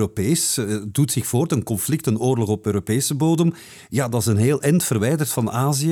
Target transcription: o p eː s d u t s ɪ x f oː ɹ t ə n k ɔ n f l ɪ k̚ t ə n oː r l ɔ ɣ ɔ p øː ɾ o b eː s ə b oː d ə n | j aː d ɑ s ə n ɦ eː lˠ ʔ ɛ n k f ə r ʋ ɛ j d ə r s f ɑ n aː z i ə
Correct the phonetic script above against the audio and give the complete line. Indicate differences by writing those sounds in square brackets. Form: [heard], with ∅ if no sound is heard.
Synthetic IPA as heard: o p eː s d u t s ɪ x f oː [r] t ə n k ɔ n f l ɪ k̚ t ə n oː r l ɔ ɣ ɔ p øː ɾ o [p] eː s ə b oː d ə [m] | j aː d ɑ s ə n ɦ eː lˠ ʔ ɛ n [t] f ə r ʋ ɛ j d ə r [t] f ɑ n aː z i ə